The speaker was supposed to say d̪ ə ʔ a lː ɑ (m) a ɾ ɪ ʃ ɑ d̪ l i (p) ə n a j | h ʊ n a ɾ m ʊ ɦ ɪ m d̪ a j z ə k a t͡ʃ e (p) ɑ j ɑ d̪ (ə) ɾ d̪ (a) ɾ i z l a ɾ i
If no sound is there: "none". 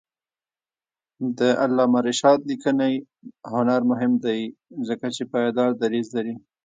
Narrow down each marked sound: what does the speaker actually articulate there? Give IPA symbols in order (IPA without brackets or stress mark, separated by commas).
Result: m, k, p, ɑ, a